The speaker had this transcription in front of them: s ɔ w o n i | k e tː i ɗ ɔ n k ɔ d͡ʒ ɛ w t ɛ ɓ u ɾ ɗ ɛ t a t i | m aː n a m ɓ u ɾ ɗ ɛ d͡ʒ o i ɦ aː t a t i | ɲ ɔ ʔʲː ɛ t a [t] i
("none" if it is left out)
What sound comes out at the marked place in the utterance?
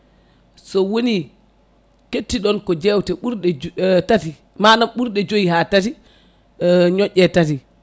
t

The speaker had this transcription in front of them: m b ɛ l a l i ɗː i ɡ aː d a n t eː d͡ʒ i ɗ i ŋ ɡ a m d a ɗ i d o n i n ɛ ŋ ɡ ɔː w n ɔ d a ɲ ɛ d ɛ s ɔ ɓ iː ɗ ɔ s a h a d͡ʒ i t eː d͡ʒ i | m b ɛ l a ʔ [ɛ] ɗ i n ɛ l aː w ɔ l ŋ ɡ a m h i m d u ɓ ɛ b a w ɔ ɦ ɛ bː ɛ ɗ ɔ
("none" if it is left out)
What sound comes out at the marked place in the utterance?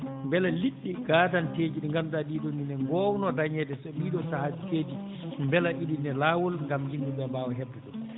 i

